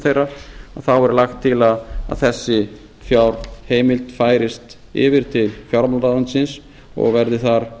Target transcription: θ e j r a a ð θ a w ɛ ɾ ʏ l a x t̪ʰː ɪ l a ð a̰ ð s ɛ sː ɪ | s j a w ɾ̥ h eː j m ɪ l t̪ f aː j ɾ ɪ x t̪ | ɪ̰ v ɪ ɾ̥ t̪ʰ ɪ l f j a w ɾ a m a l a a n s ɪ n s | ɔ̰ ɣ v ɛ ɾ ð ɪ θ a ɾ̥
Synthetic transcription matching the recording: θ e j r a a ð θ a w ɛ ɾ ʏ l a x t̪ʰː ɪ l a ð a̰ ð θ ɛ sː ɪ | f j a w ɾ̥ h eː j m ɪ l t̪ f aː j ɾ ɪ s t̪ | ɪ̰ v ɪ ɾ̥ t̪ʰ ɪ l f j a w ɾ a m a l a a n s ɪ n s | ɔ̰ ɣ v ɛ ɾ ð ɪ θ a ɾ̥